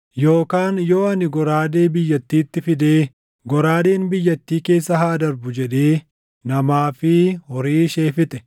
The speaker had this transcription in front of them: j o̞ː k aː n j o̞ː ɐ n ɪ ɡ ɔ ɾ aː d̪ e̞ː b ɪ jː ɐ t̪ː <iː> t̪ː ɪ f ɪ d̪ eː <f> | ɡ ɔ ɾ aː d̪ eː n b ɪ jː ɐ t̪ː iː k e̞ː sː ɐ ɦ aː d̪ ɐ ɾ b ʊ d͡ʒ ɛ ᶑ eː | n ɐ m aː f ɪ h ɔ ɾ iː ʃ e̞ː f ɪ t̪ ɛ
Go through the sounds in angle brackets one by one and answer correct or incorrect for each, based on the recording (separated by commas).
correct, incorrect